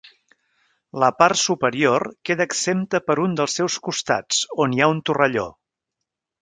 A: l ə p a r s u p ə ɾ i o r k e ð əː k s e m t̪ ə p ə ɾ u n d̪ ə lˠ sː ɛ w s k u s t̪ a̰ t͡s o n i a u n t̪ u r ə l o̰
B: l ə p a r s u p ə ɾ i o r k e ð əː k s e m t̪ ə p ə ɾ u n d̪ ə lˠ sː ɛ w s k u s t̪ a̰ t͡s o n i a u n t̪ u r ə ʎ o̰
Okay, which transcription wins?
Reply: B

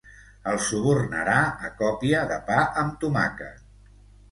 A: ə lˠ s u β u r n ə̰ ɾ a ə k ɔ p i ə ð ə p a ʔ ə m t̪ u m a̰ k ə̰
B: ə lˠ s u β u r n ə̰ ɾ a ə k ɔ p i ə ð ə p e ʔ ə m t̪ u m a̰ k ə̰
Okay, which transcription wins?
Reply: A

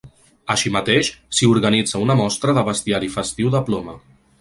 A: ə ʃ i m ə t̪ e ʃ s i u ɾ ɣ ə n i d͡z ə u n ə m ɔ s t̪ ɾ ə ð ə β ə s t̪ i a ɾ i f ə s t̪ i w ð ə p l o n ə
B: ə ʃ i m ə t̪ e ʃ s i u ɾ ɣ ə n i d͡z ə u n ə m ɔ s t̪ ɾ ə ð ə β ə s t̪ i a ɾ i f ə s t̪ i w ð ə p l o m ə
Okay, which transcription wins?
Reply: B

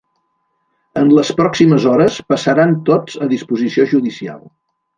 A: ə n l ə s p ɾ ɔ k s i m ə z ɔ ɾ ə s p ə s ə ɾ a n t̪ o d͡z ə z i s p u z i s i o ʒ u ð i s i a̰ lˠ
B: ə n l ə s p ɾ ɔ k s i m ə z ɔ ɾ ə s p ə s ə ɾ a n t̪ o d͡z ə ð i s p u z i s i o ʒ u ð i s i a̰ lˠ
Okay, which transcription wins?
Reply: B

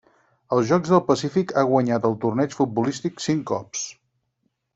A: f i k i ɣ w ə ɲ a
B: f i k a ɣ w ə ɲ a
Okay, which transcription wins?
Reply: B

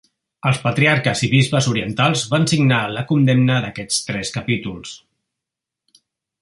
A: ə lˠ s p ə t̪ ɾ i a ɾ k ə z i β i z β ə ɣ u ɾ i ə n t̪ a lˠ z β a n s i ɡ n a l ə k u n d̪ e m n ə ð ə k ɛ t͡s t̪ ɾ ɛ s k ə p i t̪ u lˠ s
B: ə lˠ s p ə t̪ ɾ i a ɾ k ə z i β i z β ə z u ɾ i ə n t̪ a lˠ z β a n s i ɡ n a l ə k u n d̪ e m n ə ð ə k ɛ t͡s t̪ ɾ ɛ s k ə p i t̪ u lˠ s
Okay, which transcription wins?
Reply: B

